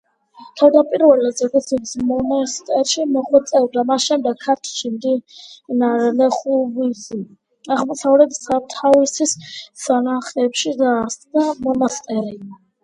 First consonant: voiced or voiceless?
voiceless